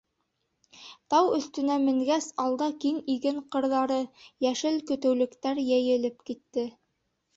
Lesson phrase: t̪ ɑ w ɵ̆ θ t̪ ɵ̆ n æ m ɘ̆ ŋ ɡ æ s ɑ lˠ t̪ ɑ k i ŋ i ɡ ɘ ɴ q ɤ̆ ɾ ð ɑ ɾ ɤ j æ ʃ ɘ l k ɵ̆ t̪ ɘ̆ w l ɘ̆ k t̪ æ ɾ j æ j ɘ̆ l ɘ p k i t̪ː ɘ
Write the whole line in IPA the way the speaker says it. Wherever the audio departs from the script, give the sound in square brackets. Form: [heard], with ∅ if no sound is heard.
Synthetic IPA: t̪ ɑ w ɵ̆ θ t̪ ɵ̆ n æ m ɘ̆ ŋ ɡ æ s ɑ lˠ [d̪] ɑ k i ŋ i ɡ ɘ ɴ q ɤ̆ ɾ ð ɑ ɾ ɤ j æ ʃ ɘ l k ɵ̆ t̪ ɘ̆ w l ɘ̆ k t̪ æ ɾ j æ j ɘ̆ l ɘ p k i t̪ː ɘ